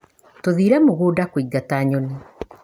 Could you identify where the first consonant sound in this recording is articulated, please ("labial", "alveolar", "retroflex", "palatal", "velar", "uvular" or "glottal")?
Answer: alveolar